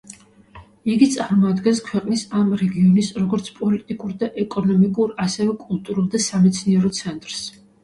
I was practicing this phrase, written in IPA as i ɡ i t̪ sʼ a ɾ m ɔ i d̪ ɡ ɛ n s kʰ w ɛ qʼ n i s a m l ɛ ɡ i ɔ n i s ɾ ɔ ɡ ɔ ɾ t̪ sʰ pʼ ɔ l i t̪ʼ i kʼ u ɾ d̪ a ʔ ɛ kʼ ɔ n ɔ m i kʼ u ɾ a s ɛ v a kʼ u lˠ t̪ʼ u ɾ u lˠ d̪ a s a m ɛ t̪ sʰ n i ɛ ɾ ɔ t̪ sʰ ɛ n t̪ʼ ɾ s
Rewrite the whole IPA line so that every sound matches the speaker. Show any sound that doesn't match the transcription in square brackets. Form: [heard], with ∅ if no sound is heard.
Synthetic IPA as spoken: i ɡ i t̪ sʼ a ɾ m ɔ [a] d̪ ɡ ɛ n s kʰ w ɛ qʼ n i s a m [ɾ] ɛ ɡ i ɔ n i s ɾ ɔ ɡ ɔ ɾ t̪ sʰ pʼ ɔ l i t̪ʼ i kʼ u ɾ d̪ a ʔ ɛ kʼ ɔ n ɔ m i kʼ u ɾ a s ɛ v [ɛ] kʼ u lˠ t̪ʼ u ɾ u lˠ d̪ a s a m ɛ t̪ sʰ n i ɛ ɾ ɔ t̪ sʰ ɛ n t̪ʼ ɾ s

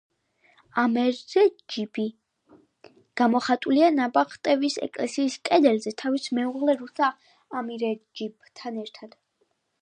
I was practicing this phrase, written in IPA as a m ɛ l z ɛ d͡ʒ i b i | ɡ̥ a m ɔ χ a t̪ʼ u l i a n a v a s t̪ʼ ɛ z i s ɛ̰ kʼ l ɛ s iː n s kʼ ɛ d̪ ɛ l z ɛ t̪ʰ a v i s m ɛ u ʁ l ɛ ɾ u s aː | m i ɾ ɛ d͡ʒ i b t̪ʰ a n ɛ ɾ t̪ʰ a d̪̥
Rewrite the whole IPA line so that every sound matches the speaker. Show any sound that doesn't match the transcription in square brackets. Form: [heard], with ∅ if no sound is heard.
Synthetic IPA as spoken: a m ɛ [ɾ] z ɛ d͡ʒ i b i | ɡ̥ a m ɔ χ a t̪ʼ u l i a n a [b] a [χ] t̪ʼ ɛ [v] i s ɛ̰ kʼ l ɛ s iː [∅] s kʼ ɛ d̪ ɛ l z ɛ t̪ʰ a v i s m ɛ u ʁ l ɛ ɾ u s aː | m i ɾ ɛ d͡ʒ i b t̪ʰ a n ɛ ɾ t̪ʰ a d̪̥

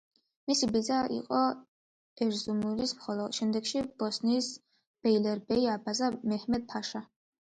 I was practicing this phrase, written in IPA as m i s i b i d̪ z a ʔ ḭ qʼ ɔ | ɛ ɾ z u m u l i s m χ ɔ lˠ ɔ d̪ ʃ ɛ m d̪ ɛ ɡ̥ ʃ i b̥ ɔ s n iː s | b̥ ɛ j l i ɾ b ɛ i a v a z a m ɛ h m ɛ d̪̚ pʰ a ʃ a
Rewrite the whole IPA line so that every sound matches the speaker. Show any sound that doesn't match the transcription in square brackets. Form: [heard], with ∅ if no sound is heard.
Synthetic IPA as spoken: m i s i b i d̪ z a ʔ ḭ qʼ ɔ | ɛ ɾ z u m u l i s m χ ɔ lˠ ɔ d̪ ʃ ɛ m d̪ ɛ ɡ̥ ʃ i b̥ ɔ s n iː s | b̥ ɛ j l [ɛ] ɾ b ɛ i a [b] a z a m ɛ h m ɛ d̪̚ pʰ a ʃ a

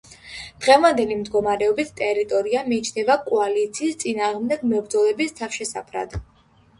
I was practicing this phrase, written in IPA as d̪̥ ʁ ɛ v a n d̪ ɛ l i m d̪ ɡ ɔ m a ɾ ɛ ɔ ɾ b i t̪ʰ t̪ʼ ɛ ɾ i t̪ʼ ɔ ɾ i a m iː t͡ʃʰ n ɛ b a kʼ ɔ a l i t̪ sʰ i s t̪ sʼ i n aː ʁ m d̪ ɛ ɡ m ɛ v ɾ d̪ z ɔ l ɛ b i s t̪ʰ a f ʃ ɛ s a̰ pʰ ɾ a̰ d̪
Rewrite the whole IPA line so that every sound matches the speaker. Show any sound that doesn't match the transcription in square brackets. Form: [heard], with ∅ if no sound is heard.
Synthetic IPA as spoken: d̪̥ ʁ ɛ v a n d̪ ɛ l i m d̪ ɡ ɔ m a ɾ ɛ ɔ [∅] b i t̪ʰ t̪ʼ ɛ ɾ i t̪ʼ ɔ ɾ i a m iː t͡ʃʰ n ɛ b a kʼ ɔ a l i t̪ sʰ [iː] s t̪ sʼ i n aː ʁ m d̪ ɛ ɡ m ɛ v ɾ d̪ z ɔ l ɛ b i s t̪ʰ a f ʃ ɛ s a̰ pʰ ɾ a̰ d̪

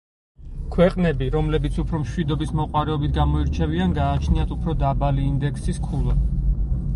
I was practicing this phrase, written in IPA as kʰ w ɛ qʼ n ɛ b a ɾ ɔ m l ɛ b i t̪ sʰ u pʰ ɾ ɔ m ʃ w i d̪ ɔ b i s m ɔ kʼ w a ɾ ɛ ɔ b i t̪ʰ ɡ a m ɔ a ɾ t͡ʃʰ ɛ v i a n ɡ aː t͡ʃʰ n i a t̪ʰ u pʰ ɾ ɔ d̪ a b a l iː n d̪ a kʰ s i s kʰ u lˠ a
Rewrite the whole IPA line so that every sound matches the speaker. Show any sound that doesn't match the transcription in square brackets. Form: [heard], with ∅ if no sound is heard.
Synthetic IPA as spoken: kʰ w ɛ qʼ n ɛ b [i] ɾ ɔ m l ɛ b i t̪ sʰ u pʰ ɾ ɔ m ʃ w i d̪ ɔ b i s m ɔ [qʼ] w a ɾ ɛ ɔ b i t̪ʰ ɡ a m ɔ [i] ɾ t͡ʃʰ ɛ v i a n ɡ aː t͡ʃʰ n i a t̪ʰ u pʰ ɾ ɔ d̪ a b a l iː n d̪ [ɛ] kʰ s i s kʰ u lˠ a

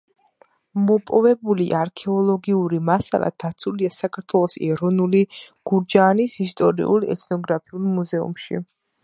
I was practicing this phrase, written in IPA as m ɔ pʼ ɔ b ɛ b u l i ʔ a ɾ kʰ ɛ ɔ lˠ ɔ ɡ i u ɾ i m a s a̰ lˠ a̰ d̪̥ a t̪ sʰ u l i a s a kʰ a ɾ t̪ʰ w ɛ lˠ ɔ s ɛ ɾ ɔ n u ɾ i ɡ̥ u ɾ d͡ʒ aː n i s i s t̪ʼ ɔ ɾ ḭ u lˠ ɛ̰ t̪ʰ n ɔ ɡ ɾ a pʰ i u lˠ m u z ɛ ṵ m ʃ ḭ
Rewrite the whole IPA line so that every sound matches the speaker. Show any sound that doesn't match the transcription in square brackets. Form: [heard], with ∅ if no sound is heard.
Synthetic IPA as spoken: m ɔ pʼ ɔ [v] ɛ b u l i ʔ a ɾ kʰ ɛ ɔ lˠ ɔ ɡ i u ɾ i m a s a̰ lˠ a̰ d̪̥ a t̪ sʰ u l i a s a kʰ a ɾ t̪ʰ w ɛ lˠ ɔ s ɛ ɾ ɔ n u [l] i ɡ̥ u ɾ d͡ʒ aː n i s i s t̪ʼ ɔ ɾ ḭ u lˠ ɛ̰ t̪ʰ n ɔ ɡ ɾ a pʰ i u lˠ m u z ɛ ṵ m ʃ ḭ

